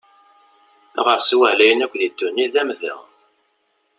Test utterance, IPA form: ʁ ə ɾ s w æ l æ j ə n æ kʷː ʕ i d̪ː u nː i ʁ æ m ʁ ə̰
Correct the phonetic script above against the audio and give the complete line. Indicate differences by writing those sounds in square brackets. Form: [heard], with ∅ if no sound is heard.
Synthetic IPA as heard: ʁ ə ɾ s w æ l æ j ə n æ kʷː [ð] i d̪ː u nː i [ð] æ m [ð] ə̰